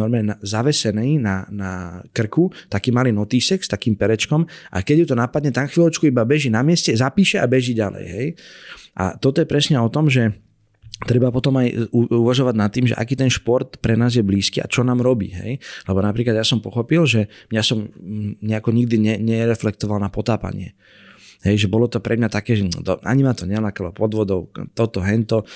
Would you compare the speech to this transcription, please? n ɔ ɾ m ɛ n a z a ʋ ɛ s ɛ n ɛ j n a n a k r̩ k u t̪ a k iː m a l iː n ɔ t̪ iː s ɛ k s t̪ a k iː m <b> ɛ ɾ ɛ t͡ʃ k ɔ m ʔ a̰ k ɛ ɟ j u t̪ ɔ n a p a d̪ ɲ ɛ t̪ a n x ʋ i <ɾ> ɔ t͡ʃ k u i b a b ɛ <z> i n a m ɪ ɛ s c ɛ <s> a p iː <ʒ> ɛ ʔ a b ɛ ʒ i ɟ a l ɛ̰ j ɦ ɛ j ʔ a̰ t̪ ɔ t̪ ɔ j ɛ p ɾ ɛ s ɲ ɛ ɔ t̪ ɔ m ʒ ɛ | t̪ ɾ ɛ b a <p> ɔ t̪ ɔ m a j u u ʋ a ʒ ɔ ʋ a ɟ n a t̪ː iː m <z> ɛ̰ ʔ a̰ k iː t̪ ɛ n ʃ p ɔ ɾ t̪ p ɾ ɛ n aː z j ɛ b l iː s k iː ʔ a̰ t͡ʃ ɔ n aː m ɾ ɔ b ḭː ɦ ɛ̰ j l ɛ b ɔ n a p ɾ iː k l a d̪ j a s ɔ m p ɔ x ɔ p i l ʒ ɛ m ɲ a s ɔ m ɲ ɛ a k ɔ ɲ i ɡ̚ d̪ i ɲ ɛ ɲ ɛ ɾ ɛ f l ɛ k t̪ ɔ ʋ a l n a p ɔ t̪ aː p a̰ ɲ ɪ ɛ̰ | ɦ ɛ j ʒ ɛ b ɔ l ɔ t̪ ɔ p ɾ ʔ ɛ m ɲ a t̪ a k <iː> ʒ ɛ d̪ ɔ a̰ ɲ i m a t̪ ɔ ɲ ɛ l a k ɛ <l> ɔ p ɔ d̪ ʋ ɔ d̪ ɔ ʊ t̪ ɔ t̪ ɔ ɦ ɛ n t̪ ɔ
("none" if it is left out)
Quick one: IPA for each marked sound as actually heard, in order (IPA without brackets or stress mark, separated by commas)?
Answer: p, l, ʒ, z, ʃ, p, ʒ, ɛː, l